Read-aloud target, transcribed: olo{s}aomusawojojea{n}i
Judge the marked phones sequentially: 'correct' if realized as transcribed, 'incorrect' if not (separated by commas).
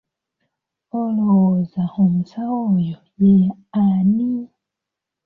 incorrect, correct